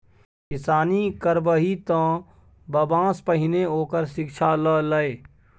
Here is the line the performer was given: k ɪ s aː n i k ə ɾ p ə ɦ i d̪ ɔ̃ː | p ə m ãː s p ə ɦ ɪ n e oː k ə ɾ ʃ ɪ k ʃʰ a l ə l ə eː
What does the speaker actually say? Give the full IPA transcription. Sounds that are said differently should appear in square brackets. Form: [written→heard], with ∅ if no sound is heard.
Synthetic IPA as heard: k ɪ s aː n i k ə ɾ [p→b] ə ɦ i [d̪→t̪] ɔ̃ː | [p→b] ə [m→b] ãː s p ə ɦ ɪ n e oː k ə ɾ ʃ ɪ k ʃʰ a l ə l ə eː